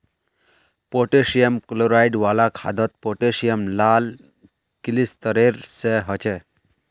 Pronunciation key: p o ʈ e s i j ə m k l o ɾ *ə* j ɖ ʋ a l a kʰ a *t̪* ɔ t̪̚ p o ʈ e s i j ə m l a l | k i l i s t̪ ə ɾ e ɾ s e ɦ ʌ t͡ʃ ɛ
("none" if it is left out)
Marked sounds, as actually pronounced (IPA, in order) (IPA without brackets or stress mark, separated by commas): a, d̪